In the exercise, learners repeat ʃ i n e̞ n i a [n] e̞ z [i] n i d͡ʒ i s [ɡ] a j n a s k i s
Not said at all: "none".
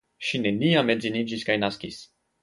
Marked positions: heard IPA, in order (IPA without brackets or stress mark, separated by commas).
m, i, k